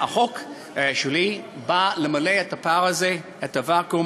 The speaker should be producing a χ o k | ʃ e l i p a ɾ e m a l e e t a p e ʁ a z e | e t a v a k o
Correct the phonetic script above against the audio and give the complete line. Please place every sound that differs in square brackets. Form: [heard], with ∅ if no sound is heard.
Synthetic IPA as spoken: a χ o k | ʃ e l i [b] a [l] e m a l e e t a p [a] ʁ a z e | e t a v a k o